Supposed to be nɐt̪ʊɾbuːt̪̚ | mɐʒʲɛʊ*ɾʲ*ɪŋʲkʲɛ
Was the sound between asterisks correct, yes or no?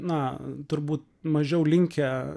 no